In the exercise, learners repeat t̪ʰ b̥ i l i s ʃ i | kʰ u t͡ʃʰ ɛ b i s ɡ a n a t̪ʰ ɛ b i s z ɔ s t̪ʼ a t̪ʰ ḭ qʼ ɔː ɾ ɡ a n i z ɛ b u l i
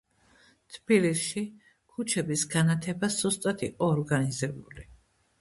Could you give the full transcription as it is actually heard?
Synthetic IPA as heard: t̪ʰ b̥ i l i s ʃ i | kʰ u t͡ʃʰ ɛ b i s ɡ a n a t̪ʰ ɛ b a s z ɔ s t̪ʼ a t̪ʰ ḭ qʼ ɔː ɾ ɡ a n i z ɛ b u l i